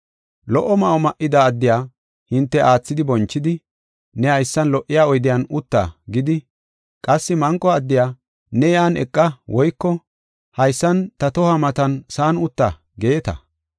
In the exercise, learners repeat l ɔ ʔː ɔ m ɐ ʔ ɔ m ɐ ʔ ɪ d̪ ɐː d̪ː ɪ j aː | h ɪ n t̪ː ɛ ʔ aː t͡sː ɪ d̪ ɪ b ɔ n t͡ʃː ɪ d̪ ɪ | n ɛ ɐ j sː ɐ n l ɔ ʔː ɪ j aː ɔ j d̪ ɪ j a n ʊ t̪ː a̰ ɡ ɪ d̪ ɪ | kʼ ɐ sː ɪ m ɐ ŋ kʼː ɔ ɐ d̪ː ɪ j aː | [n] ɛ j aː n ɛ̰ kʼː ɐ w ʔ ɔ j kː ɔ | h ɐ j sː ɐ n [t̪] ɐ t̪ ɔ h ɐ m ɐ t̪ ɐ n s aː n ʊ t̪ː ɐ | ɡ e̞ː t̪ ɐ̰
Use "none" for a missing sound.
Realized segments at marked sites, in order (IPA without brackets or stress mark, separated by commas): n, t̪